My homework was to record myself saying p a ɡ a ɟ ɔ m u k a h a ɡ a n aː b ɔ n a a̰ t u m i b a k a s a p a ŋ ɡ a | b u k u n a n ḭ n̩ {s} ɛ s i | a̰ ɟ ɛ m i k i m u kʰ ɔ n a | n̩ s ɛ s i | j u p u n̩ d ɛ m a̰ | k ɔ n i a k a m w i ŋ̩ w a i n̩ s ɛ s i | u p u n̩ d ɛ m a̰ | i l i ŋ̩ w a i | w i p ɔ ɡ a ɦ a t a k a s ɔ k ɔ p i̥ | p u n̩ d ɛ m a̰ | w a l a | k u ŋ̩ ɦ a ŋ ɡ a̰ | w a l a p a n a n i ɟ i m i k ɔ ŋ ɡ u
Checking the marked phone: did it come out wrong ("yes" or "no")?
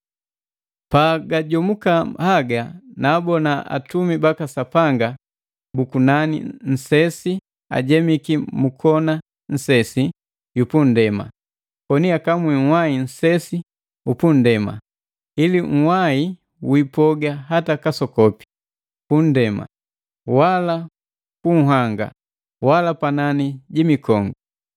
no